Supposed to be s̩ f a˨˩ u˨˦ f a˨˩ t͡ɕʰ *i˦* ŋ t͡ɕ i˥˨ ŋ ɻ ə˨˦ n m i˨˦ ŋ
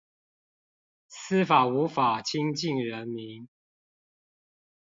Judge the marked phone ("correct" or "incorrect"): correct